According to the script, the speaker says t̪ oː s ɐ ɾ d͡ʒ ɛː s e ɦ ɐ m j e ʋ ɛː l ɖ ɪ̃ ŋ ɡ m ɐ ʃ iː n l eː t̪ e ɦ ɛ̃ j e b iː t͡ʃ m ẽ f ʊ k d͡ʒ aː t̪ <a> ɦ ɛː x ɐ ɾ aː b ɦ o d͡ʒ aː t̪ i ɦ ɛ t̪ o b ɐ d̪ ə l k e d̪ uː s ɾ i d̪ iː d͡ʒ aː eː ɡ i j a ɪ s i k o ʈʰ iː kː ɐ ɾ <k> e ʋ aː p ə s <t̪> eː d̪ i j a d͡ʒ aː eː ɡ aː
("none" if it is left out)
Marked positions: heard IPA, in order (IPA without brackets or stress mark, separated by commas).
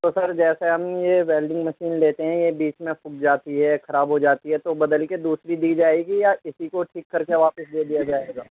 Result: i, k, d̪